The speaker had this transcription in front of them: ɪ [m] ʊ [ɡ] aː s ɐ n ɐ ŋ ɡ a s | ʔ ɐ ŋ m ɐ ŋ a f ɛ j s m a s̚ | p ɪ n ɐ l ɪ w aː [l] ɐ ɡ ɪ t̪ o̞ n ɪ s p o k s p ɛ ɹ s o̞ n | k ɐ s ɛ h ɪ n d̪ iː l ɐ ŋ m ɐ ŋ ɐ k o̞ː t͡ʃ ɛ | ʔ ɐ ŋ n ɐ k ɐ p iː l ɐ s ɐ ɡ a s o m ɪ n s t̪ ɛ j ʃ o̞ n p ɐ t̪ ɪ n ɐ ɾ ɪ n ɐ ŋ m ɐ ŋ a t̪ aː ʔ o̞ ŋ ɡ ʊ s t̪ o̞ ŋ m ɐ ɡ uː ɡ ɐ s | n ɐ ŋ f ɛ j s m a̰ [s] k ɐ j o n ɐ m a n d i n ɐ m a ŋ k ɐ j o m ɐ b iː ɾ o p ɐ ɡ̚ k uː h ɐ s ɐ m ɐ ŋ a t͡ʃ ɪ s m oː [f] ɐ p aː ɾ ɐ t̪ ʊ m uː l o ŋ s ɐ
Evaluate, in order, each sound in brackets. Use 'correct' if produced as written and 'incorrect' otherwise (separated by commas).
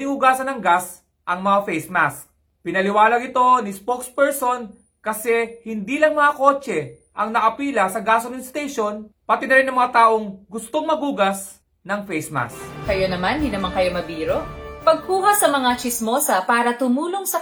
incorrect, correct, correct, correct, incorrect